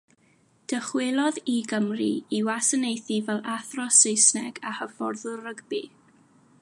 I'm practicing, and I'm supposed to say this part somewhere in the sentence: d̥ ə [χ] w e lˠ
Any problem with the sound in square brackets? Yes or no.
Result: no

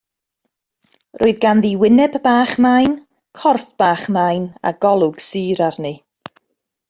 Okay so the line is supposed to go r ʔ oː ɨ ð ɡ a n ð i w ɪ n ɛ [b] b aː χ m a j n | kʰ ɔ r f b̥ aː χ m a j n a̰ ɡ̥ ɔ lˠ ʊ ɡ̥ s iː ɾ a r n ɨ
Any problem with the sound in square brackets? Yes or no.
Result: no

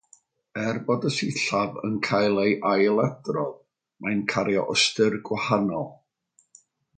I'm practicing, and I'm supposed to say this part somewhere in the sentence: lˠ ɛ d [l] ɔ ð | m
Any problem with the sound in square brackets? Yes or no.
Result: yes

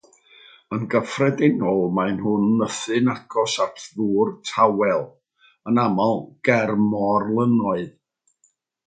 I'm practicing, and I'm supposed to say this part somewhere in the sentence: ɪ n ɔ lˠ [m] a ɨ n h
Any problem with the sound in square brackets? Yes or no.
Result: no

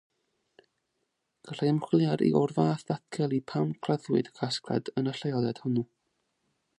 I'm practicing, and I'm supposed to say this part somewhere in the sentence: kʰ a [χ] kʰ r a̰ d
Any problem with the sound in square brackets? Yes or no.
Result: yes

